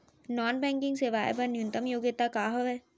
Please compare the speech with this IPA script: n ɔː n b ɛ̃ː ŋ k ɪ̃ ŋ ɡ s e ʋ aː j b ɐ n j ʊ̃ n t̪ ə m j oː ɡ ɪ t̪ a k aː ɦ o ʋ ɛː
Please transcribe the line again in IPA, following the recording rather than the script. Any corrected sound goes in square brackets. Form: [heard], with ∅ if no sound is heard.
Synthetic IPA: n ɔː n b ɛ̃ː ŋ k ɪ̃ ŋ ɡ s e ʋ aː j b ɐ n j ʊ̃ n t̪ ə m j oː ɡ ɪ t̪ a k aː ɦ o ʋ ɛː